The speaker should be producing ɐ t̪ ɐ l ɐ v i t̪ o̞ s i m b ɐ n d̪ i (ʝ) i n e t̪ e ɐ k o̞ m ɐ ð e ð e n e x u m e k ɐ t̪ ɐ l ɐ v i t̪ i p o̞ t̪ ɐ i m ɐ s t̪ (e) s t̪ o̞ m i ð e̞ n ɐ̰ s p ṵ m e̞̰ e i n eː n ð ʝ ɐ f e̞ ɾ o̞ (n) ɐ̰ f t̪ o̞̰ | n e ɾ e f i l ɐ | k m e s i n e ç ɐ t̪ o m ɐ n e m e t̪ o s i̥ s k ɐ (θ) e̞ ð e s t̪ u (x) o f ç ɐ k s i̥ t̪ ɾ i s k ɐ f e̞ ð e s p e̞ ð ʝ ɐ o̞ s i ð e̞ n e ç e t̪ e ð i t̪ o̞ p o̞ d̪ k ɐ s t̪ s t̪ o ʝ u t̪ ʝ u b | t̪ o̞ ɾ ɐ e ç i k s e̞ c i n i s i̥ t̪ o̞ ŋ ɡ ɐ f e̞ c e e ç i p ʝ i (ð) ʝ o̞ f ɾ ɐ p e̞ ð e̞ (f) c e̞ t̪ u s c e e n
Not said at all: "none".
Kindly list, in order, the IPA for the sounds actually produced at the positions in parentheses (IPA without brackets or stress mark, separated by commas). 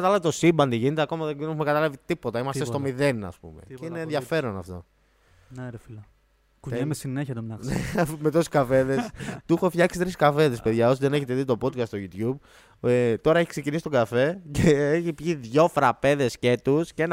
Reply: ʝ, e, n, f, x, ð, s